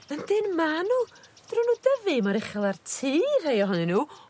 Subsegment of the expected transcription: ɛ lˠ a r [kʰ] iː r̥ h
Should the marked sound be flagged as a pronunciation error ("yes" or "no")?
yes